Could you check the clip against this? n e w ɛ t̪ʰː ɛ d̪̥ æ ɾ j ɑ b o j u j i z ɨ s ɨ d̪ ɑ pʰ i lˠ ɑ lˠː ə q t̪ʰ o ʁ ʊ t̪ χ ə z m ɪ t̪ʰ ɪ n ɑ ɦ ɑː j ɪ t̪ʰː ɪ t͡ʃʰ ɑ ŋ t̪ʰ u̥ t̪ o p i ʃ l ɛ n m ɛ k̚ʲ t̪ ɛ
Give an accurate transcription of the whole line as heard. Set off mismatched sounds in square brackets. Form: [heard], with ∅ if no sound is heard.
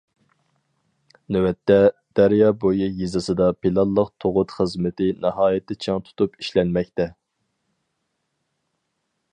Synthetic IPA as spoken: n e w ɛ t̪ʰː ɛ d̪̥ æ ɾ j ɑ b o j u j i z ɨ s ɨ d̪ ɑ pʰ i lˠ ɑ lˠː ə q t̪ʰ o ʁ ʊ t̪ χ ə z m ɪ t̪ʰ ɪ n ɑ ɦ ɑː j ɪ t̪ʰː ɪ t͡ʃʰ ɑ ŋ t̪ʰ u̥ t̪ [u] p i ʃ l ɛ n m ɛ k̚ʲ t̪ ɛ